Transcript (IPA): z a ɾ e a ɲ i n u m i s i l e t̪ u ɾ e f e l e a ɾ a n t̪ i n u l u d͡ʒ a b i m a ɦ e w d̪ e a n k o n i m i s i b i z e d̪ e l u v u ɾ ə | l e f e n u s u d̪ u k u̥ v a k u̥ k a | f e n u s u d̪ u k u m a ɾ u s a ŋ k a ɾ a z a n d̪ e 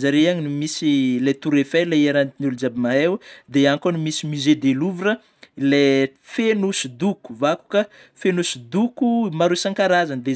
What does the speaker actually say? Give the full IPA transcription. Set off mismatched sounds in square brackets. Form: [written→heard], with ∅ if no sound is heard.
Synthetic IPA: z a ɾ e a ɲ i n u m i s i l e t̪ u ɾ e f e l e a ɾ a n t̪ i n u l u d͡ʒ a b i m a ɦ e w d̪ e a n k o n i m i s i [b→m] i z e d̪ e l u v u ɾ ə | l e f e n u s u d̪ u k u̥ v a k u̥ k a | f e n u s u d̪ u k u m a ɾ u s a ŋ k a ɾ a z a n d̪ e